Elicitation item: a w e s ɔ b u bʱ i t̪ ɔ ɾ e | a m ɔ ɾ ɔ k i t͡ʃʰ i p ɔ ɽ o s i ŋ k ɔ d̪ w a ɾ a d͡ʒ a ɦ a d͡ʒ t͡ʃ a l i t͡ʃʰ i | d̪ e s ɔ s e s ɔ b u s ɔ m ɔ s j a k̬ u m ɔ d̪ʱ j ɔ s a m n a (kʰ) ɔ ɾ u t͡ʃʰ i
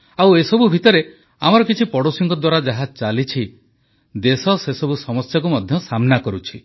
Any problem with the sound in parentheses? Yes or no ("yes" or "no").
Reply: yes